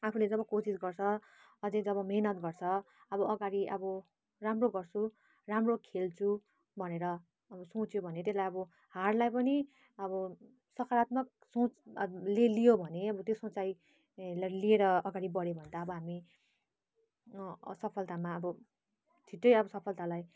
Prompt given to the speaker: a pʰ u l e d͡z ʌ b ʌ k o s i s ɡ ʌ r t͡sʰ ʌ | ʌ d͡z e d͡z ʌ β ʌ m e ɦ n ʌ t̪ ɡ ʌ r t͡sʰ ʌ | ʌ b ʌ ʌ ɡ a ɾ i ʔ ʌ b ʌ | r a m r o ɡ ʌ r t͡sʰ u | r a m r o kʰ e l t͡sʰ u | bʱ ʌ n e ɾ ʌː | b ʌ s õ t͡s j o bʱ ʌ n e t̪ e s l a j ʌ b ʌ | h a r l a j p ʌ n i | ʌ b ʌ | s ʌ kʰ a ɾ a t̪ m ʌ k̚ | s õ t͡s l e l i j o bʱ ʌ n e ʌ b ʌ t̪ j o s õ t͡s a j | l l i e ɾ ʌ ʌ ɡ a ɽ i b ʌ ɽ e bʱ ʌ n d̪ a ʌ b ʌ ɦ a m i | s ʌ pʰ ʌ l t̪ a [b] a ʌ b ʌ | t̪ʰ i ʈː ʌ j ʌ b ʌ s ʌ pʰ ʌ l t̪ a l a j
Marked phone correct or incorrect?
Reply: incorrect